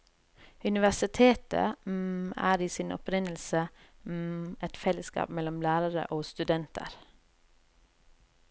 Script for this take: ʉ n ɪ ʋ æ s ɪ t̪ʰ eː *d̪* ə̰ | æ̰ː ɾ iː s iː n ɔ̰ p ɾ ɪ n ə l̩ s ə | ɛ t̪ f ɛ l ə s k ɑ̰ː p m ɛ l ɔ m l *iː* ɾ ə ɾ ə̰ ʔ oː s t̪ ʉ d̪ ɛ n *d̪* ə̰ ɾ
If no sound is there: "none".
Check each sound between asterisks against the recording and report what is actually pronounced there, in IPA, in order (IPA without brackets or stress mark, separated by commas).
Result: t̪, æː, t̪